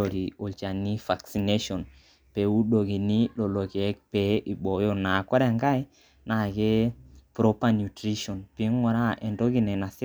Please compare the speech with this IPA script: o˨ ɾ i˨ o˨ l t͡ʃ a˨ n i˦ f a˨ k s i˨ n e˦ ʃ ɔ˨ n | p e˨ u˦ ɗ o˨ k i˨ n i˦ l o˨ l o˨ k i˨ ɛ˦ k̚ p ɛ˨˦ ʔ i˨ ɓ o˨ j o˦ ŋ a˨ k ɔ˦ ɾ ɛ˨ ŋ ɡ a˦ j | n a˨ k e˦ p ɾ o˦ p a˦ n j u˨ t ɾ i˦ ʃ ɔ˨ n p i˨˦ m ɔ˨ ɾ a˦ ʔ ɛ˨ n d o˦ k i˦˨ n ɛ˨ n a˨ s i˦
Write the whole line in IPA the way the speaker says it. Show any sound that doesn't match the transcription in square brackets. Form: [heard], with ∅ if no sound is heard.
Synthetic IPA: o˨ ɾ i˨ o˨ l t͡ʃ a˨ n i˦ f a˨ k s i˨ n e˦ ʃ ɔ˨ n | p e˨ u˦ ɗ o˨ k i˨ n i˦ l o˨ l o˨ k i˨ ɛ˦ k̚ p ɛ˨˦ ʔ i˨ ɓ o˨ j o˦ [n] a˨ k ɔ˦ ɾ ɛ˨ ŋ ɡ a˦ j | n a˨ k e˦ p ɾ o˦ p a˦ n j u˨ t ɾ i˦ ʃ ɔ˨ n p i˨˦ [ŋ] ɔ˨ ɾ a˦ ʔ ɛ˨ n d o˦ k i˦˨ n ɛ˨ n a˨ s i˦